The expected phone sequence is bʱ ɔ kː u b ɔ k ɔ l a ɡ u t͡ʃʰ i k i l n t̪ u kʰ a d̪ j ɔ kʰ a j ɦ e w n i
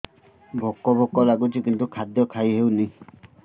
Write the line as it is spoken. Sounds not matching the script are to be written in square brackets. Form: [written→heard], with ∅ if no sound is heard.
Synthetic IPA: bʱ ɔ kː [u→ɔ] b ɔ k ɔ l a ɡ u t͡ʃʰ i k i [l→∅] n t̪ u kʰ a d̪ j ɔ kʰ a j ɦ e w n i